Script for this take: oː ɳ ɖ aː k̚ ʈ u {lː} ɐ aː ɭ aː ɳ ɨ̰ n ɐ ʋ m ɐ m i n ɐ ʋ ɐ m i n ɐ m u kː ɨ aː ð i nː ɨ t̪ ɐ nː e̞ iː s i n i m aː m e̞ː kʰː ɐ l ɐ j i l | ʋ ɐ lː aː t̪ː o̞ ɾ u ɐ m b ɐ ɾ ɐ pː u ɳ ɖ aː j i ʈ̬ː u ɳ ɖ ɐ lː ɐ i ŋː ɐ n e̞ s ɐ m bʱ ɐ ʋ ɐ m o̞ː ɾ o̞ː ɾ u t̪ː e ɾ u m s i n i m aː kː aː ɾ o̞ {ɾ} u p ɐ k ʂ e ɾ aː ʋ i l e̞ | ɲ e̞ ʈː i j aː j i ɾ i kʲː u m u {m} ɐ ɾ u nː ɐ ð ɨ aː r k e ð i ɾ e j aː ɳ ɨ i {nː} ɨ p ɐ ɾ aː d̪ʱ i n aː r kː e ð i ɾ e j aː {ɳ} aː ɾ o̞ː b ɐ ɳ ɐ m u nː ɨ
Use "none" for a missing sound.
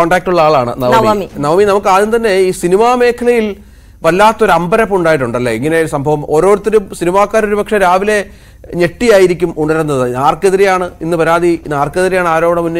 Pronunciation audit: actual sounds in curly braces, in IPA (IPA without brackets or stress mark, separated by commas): ɭː, ɾ, ɳ, nː, ɳ